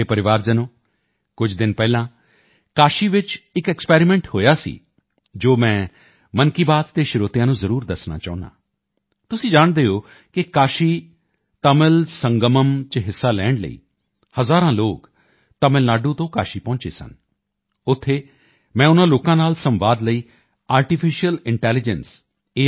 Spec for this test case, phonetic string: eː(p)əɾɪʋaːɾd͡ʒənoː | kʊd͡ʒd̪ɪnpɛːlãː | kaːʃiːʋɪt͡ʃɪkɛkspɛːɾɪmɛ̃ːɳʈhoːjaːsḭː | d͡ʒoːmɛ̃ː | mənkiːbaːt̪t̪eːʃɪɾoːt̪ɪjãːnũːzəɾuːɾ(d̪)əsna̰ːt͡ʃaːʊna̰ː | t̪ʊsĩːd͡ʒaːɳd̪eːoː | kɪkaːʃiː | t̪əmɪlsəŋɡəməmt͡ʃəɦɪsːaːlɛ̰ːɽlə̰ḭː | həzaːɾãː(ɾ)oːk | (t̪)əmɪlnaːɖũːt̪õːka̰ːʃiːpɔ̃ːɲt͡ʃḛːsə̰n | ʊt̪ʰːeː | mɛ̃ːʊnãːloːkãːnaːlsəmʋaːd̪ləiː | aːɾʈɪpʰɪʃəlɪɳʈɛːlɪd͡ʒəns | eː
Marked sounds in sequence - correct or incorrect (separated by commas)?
correct, correct, incorrect, correct